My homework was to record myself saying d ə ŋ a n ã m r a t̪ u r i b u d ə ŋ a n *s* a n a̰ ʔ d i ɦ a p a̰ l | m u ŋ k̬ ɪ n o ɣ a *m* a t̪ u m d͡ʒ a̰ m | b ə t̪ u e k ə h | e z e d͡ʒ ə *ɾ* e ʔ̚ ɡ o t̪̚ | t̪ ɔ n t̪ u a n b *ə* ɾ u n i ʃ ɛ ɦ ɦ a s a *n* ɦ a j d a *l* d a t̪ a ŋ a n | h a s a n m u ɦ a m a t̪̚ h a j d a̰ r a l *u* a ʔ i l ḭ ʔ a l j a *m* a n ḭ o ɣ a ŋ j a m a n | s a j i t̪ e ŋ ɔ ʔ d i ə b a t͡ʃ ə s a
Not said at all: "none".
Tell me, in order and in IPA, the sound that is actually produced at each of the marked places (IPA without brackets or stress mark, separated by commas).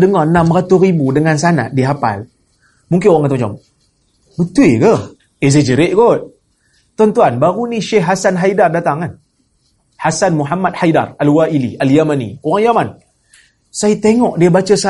s, ŋ, ɾ, a, n, r, w, m